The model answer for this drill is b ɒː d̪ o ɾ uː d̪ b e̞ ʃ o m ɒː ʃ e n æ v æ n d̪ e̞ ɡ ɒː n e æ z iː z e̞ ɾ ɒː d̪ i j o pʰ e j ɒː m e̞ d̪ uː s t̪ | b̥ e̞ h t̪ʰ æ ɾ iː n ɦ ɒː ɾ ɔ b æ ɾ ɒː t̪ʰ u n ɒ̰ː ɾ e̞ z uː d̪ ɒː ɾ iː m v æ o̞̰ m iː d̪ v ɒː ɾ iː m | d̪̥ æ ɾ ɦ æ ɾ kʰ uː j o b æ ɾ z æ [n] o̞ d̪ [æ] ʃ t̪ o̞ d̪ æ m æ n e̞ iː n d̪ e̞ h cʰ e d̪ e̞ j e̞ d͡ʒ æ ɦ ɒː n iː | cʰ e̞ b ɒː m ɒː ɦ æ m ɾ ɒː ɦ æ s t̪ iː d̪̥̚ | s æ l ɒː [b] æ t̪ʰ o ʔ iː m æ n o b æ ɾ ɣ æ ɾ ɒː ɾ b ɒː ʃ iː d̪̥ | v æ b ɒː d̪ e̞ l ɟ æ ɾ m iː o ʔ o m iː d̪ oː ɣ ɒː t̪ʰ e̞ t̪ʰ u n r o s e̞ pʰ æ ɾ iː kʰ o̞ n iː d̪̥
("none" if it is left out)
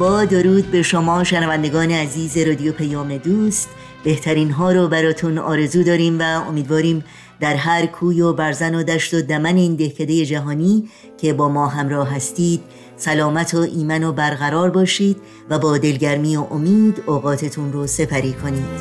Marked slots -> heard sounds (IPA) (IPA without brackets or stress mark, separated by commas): n, æ, m